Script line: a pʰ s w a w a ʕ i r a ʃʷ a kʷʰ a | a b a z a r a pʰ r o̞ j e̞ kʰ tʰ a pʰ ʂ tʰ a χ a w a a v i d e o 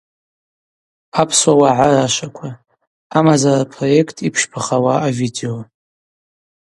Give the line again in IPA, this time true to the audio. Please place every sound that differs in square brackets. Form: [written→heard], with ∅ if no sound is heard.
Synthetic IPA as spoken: a pʰ s w a w a ʕ [i→a] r a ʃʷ a kʷʰ a | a [b→m] a z a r a pʰ r o̞ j e̞ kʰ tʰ [a→i] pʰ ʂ [tʰ→pʰ] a χ a w a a v i d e o